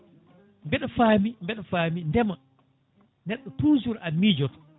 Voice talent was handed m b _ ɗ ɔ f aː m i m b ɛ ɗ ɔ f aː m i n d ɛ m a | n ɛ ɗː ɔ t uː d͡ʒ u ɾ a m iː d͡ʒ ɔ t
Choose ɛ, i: ɛ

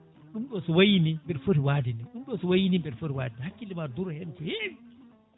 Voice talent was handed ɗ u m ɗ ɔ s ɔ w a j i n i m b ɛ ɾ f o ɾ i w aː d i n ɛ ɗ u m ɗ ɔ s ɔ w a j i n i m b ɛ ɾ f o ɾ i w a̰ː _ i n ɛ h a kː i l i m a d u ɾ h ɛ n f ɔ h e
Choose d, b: d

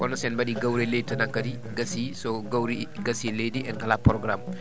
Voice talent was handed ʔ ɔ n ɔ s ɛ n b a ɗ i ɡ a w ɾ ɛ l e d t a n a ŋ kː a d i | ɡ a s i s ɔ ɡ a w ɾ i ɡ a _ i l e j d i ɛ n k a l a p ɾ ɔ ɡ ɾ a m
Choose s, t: s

